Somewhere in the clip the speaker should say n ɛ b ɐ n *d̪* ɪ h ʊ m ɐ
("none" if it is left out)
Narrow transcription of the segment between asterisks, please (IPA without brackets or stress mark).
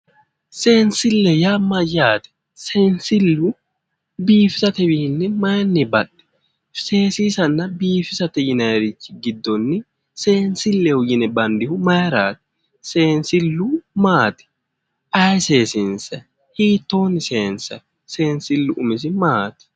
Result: d̪